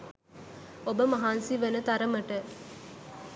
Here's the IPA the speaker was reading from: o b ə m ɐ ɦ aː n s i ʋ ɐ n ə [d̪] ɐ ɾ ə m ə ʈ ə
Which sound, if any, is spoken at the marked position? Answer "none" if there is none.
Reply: t̪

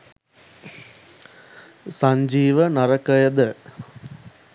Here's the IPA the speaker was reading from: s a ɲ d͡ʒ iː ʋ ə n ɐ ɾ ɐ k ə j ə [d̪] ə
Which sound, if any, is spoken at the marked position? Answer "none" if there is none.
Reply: d̪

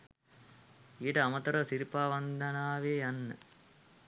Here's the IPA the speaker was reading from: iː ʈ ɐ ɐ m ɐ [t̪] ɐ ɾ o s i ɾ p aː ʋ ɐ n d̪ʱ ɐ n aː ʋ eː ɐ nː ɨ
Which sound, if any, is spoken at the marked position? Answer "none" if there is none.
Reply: t̪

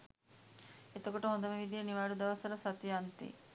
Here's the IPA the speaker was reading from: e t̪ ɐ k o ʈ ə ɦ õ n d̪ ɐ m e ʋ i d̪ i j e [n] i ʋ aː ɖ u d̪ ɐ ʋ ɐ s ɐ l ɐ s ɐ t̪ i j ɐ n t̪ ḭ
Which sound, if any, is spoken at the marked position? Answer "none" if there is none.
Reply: n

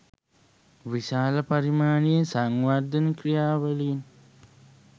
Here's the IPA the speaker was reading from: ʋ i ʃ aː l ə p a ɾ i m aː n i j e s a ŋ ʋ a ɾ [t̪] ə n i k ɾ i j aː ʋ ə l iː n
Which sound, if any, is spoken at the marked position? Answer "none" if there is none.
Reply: d̪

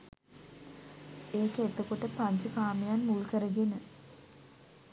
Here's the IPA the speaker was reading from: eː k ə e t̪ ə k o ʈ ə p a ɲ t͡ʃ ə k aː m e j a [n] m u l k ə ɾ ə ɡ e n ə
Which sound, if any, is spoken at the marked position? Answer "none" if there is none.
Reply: n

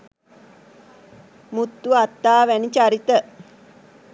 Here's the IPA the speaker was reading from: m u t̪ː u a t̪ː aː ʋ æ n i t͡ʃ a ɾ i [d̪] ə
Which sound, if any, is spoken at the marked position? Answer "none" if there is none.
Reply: t̪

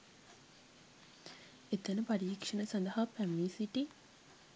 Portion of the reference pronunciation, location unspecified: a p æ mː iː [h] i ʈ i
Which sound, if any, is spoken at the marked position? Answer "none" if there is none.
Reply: s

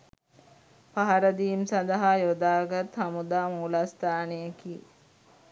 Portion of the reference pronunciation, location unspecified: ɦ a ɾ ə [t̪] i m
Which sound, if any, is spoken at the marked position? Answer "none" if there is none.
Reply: d̪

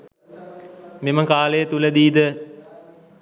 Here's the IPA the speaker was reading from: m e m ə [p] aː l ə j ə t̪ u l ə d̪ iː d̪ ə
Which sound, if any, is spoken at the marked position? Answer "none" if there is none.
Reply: k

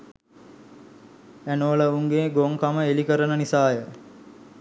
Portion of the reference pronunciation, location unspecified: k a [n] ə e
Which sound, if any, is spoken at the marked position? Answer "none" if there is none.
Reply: m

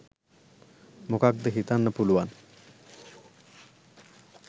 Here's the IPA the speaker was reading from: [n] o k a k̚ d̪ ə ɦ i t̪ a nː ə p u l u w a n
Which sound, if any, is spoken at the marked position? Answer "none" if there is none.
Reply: m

